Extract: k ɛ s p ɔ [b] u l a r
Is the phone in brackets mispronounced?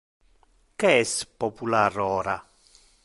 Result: yes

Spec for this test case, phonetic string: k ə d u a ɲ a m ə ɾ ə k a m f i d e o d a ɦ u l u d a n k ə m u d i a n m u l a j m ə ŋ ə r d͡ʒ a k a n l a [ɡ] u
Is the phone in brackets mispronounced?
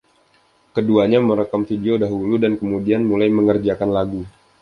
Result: no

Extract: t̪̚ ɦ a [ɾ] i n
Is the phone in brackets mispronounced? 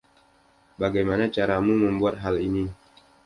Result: yes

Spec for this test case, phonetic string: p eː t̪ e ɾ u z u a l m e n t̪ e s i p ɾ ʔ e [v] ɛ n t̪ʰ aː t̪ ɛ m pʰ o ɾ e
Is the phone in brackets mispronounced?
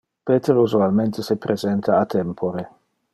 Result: yes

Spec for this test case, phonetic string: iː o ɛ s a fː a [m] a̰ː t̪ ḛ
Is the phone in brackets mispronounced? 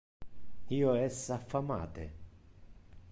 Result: no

